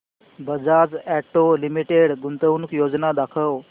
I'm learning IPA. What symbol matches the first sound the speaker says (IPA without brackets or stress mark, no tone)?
b